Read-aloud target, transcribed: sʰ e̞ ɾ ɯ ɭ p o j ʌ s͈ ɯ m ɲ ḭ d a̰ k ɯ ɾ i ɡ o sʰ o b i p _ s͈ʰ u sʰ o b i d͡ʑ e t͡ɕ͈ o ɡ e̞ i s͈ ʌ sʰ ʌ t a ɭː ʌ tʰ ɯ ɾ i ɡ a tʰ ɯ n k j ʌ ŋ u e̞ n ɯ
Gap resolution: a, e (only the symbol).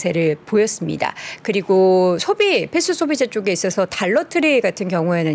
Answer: e